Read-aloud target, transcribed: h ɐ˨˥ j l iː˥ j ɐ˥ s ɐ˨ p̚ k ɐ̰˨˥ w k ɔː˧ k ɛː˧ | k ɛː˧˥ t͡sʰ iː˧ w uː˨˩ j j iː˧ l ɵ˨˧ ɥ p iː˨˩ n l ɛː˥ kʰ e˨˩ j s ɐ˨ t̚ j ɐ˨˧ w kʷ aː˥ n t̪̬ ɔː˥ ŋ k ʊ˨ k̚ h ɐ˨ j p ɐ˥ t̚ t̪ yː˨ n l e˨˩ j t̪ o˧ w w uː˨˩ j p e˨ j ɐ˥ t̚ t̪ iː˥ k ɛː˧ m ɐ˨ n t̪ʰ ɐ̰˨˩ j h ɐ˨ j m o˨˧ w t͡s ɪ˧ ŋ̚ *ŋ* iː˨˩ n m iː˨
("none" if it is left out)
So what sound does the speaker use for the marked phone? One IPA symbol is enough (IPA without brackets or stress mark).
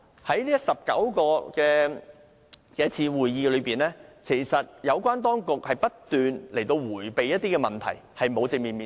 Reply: m